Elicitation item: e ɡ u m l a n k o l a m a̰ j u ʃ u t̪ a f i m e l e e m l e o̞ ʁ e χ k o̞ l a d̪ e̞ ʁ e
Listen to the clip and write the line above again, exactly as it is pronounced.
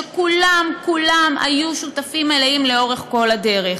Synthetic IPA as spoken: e k u l a m k u l a m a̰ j u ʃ u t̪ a f i m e l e i m l e o̞ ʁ e χ k o̞ l a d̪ e̞ ʁ e